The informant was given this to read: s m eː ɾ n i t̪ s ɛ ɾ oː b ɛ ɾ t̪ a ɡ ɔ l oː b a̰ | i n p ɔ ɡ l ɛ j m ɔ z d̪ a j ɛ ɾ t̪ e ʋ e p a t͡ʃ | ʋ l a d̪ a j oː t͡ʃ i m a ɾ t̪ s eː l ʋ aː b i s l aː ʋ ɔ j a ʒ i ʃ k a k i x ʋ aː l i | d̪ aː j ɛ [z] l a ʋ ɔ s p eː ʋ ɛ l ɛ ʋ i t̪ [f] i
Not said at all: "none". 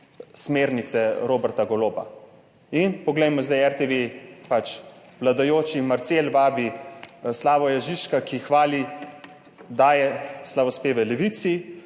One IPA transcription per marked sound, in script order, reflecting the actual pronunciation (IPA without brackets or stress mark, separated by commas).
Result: s, s